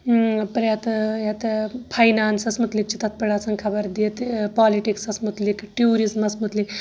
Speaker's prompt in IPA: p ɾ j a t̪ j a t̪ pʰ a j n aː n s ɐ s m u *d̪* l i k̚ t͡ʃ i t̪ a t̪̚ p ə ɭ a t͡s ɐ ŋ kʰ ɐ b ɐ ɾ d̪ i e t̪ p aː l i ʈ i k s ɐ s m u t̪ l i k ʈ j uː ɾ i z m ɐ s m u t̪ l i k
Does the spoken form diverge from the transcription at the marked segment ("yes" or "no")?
yes